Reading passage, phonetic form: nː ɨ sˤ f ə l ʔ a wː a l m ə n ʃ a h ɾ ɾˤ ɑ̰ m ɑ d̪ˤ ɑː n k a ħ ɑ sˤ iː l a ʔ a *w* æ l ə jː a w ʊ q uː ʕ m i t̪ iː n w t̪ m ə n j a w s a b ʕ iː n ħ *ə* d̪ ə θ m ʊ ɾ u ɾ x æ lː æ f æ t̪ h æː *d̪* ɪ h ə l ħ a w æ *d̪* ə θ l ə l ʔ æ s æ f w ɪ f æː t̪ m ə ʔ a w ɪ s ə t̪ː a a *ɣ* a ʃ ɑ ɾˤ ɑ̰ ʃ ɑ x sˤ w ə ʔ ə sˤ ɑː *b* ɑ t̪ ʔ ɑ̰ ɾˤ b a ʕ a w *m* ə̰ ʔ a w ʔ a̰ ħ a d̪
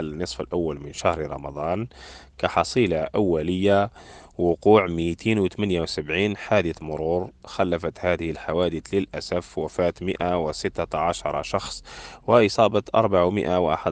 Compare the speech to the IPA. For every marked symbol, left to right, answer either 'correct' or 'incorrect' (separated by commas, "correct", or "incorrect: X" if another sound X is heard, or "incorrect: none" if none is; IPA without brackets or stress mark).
incorrect: wː, incorrect: a, correct, correct, incorrect: ʕ, correct, correct